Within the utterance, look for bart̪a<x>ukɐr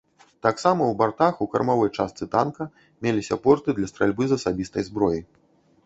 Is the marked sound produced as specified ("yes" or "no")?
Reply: yes